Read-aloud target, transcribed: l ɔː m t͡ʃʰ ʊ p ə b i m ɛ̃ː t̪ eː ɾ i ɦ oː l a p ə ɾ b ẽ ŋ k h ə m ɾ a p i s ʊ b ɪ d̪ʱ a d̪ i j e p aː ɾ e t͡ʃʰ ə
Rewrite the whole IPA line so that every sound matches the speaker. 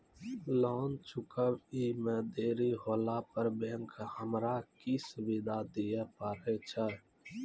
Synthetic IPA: l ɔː n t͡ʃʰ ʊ k ə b i m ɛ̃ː d̪ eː ɾ i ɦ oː l a p ə ɾ b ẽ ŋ k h ə m ɾ a k i s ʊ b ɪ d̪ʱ a d̪ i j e p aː ɾ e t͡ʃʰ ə